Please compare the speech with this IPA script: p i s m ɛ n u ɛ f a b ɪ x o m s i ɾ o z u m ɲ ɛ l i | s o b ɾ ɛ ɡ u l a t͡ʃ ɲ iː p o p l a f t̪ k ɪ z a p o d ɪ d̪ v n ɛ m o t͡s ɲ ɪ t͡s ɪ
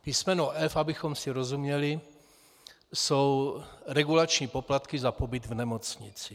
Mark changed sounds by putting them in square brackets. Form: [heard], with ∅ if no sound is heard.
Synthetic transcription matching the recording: p i s m ɛ n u ɛ f a b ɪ x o m s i ɾ o z u m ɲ ɛ l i | s o [w] ɾ ɛ ɡ u l a t͡ʃ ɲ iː p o p l a [∅] t̪ k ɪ z a p o [b] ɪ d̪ v n ɛ m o t͡s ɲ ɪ t͡s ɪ